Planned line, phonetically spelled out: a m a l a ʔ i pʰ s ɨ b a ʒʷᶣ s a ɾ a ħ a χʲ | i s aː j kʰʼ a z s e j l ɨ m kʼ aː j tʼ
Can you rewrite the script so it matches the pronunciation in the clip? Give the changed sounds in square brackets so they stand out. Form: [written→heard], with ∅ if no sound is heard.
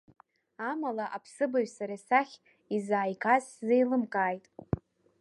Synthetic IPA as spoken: a m a l a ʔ [i→a] pʰ s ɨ b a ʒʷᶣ s a ɾ a [ħ→s] a χʲ | i [s→z] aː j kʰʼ a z [s→z] e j l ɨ m kʼ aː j tʼ